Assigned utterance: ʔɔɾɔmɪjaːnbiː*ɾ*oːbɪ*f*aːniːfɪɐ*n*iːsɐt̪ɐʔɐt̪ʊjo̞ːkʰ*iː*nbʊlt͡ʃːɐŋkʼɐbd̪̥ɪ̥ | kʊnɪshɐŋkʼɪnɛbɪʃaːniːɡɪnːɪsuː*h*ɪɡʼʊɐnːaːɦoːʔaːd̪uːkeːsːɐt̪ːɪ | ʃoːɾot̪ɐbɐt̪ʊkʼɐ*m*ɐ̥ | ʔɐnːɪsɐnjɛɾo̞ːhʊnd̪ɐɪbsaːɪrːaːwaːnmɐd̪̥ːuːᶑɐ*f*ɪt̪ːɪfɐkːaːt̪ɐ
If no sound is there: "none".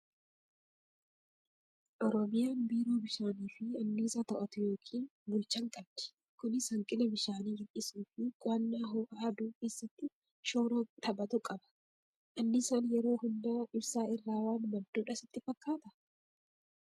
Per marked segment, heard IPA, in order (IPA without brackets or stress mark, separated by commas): ɾ, ʃ, nː, iː, f, b, s